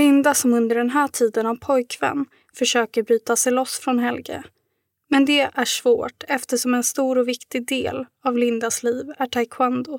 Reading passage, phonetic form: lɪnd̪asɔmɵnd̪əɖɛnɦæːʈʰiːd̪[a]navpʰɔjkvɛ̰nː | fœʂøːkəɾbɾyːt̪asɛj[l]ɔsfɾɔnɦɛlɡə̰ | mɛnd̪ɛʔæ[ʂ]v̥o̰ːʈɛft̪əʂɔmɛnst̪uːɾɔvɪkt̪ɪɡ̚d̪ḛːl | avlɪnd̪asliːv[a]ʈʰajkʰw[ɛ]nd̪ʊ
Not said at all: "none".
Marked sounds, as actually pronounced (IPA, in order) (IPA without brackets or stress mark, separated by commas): ə, l, ʂ, æ, a